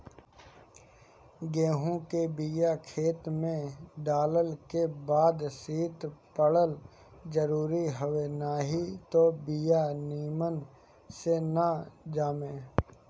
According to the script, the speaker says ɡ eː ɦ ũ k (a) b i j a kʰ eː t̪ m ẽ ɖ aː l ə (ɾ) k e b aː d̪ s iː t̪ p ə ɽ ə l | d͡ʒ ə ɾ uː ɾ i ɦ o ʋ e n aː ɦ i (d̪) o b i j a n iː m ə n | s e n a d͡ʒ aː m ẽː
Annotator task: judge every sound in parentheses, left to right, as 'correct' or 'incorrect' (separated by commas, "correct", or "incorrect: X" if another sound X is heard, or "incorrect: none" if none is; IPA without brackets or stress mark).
incorrect: e, incorrect: l, incorrect: t̪